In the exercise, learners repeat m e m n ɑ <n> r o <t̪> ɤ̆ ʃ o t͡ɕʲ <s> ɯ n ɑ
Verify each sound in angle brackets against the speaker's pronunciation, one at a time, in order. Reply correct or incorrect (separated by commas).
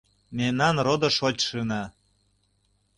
correct, incorrect, incorrect